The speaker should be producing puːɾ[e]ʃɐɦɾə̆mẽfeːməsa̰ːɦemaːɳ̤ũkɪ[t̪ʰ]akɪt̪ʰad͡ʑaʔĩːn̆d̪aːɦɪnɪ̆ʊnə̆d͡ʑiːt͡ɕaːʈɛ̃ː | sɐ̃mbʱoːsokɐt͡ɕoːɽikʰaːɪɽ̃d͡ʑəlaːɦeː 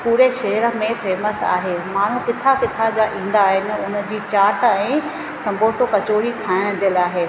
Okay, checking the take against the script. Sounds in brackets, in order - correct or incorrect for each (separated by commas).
correct, correct